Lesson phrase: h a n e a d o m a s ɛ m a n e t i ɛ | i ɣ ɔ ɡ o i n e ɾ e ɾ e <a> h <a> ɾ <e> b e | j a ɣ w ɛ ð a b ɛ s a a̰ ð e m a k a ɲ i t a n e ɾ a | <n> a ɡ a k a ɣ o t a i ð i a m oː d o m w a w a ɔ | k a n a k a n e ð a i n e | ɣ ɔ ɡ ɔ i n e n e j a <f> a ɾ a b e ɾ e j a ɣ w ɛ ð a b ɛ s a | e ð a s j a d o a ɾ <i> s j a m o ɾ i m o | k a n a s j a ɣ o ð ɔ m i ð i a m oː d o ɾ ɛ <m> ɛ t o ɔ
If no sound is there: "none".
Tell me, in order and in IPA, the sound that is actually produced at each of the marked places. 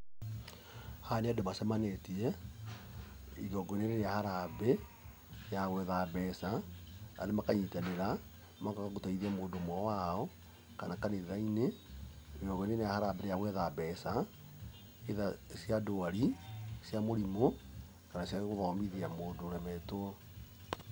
a, a, a, m, h, i, m

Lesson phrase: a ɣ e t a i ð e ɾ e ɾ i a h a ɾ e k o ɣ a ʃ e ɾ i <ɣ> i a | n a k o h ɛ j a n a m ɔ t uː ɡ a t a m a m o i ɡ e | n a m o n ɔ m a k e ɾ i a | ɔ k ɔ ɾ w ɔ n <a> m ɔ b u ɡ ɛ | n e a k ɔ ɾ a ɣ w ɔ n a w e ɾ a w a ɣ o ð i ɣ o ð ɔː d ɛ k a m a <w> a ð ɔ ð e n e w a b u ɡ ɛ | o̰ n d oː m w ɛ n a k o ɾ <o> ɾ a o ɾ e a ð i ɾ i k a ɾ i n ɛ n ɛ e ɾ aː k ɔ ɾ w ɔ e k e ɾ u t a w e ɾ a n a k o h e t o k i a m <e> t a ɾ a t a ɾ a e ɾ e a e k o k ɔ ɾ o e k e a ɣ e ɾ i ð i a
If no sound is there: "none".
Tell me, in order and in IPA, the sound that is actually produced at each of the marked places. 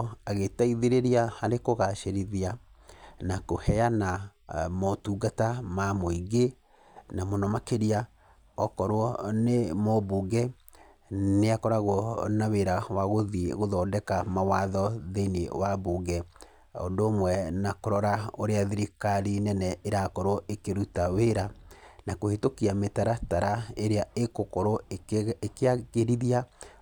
ð, e, w, ɔ, e

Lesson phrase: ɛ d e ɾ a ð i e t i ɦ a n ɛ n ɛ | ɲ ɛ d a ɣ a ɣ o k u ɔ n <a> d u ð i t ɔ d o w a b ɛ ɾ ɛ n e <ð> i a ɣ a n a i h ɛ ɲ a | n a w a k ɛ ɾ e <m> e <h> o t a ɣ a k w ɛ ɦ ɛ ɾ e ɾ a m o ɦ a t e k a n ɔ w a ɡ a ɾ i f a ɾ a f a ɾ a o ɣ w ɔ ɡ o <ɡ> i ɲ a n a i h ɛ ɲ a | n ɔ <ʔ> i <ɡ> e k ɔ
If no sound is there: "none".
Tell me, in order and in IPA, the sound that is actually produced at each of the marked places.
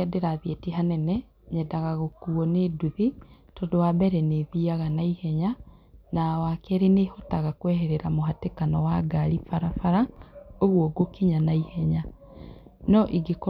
e, ð, n, h, k, ʔ, ɡ

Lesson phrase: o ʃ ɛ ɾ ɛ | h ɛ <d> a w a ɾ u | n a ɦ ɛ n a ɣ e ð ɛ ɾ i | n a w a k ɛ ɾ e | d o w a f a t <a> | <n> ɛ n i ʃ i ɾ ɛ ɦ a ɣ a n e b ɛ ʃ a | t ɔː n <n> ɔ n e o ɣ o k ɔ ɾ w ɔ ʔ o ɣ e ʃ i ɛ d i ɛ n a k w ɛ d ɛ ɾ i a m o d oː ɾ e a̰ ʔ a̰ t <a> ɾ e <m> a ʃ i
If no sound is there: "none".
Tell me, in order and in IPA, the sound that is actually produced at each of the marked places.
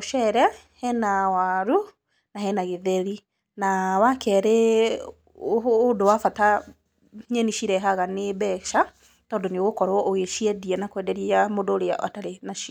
n, a, ɲ, d, a, n

